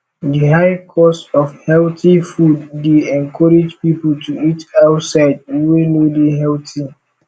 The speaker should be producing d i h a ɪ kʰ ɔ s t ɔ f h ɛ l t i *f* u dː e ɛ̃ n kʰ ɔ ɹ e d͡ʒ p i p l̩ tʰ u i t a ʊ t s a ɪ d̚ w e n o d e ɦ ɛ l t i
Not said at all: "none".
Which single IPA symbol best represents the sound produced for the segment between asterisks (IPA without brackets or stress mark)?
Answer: f